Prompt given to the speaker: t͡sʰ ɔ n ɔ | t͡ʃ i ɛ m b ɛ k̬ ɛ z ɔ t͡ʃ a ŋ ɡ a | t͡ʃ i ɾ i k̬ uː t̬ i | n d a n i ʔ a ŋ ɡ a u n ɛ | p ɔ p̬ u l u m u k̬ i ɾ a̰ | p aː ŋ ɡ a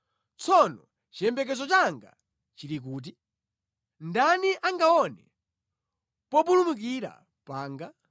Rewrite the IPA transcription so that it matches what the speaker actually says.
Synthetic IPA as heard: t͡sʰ ɔ n ɔ | t͡ʃ i ɛ m b ɛ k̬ ɛ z ɔ t͡ʃ a ŋ ɡ a | t͡ʃ i ɾ i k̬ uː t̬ i | n d a n i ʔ a ŋ ɡ a ɔ n ɛ | p ɔ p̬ u l u m u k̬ i ɾ a̰ | p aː ŋ ɡ a